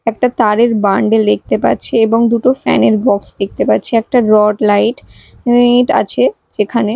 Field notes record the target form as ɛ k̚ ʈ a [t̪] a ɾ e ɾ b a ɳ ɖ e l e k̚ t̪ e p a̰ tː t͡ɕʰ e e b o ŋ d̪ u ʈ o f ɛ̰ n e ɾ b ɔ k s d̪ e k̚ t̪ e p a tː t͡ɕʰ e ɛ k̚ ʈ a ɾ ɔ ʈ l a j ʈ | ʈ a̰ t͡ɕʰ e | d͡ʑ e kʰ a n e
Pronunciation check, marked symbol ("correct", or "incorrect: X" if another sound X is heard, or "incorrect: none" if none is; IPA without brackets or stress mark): correct